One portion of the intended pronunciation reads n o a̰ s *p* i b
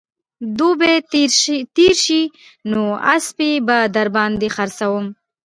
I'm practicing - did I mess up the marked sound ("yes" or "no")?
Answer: no